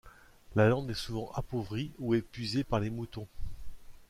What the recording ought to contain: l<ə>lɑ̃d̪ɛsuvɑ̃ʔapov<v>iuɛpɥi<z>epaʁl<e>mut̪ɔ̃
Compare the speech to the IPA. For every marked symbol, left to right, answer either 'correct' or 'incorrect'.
incorrect: a, incorrect: ʁ, correct, correct

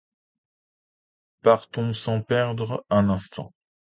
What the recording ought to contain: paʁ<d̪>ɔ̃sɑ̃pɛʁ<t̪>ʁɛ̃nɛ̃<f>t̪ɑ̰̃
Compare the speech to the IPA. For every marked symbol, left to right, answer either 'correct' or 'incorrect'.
incorrect: t̪, incorrect: d̪, incorrect: s

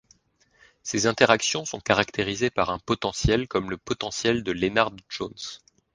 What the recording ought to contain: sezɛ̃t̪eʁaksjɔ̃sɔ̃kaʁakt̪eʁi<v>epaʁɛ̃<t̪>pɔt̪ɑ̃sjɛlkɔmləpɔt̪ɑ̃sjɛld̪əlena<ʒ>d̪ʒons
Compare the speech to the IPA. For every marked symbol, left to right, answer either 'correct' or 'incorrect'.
incorrect: z, incorrect: none, incorrect: ʁ

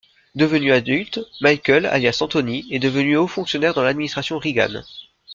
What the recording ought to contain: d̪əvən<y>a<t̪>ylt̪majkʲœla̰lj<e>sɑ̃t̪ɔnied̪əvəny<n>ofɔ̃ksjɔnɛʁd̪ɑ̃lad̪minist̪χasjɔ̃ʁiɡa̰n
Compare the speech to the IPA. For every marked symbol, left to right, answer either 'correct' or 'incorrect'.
correct, incorrect: d̪, incorrect: a, incorrect: none

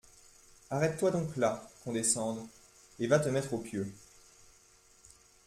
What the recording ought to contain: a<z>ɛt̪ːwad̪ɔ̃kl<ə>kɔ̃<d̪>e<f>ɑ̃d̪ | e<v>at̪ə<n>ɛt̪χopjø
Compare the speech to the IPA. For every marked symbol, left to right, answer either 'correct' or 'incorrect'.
incorrect: ʁ, incorrect: a, correct, incorrect: s, correct, incorrect: m

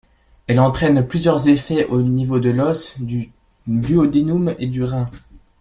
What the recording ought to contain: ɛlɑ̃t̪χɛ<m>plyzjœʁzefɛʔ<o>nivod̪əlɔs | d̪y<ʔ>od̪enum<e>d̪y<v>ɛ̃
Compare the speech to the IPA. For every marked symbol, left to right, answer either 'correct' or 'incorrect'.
incorrect: n, correct, incorrect: none, correct, incorrect: ʁ

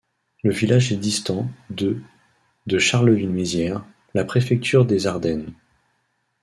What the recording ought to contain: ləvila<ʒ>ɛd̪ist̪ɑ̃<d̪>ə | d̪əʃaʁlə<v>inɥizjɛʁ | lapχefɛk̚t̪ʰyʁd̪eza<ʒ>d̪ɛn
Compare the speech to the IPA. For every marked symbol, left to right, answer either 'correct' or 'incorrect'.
correct, correct, correct, incorrect: ʁ

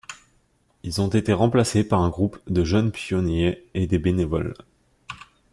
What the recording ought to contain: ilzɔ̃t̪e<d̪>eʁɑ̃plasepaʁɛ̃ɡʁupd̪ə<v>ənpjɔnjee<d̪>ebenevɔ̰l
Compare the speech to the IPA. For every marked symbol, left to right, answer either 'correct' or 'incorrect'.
incorrect: t̪, incorrect: ʒ, correct

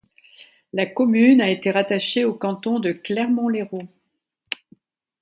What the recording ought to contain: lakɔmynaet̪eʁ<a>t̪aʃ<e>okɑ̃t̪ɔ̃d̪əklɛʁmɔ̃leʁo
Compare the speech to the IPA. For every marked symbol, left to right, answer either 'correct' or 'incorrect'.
correct, correct

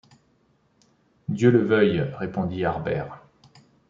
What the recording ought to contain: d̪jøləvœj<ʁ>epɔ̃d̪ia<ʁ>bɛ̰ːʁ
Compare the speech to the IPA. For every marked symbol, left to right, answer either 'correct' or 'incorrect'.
correct, correct

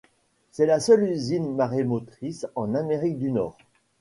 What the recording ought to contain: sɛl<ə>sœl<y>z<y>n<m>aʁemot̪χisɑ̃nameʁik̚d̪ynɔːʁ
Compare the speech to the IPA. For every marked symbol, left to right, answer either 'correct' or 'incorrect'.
incorrect: a, correct, incorrect: i, correct

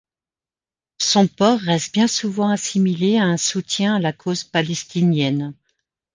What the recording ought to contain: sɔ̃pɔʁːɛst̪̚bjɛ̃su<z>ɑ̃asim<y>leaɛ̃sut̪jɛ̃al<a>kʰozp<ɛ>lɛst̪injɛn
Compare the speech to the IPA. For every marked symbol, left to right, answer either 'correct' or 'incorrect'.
incorrect: v, incorrect: i, correct, incorrect: a

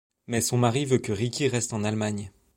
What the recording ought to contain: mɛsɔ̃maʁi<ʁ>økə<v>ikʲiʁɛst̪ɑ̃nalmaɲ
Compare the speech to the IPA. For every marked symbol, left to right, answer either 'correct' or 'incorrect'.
incorrect: v, incorrect: ʁ

